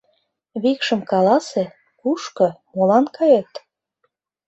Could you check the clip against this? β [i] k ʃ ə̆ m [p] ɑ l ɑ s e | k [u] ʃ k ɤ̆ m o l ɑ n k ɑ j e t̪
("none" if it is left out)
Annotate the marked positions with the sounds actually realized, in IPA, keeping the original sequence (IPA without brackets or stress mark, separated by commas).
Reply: i, k, u